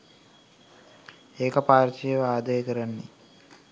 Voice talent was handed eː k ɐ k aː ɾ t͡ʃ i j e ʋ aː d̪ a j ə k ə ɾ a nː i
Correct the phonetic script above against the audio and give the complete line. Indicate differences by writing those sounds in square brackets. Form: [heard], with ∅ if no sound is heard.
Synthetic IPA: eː k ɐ [p] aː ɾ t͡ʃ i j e ʋ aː d̪ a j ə k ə ɾ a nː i